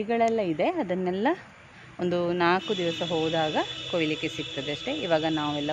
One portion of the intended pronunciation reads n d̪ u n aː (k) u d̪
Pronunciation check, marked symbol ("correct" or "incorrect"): correct